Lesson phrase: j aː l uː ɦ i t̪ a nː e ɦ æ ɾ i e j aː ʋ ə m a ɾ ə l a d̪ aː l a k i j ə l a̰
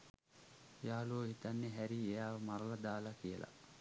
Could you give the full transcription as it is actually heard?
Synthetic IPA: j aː l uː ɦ i t̪ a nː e ɦ æ ɾ i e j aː ʋ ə m a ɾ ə l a d̪ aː l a k i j ə l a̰